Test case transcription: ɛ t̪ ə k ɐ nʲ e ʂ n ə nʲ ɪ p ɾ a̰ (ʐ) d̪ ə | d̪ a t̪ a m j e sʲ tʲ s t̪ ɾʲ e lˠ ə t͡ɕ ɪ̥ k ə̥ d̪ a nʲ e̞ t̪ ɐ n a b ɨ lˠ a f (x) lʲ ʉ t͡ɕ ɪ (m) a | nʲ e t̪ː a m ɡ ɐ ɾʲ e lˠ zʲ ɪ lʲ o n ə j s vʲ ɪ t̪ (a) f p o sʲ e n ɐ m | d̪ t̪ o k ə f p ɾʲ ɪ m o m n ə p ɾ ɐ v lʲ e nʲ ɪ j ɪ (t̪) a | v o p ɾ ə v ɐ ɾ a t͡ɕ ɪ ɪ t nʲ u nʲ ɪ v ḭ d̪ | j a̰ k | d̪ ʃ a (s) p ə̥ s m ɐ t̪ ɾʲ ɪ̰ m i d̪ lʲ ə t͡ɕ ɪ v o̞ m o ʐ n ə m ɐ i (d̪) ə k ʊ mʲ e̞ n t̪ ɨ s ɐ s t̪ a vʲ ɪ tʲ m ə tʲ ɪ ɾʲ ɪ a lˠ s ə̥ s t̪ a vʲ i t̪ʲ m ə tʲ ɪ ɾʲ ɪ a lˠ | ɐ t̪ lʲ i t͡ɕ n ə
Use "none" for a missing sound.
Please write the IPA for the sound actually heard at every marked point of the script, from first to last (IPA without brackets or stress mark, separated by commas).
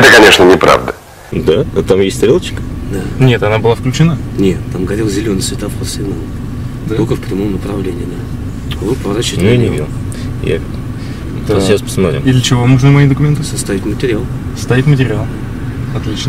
v, k, n, a, d̪, s, d̪